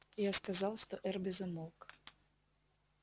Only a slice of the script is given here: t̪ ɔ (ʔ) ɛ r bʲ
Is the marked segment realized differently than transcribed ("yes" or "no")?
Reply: no